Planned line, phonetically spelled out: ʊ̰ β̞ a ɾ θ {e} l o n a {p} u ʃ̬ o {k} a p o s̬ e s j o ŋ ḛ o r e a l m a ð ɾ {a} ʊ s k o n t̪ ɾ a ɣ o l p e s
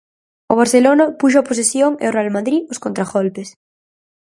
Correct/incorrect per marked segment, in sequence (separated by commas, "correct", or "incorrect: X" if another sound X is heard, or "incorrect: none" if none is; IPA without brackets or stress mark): correct, correct, incorrect: none, incorrect: i